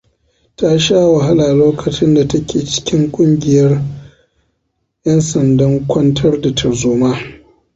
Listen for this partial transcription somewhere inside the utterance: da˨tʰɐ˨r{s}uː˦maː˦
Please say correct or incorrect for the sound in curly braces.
incorrect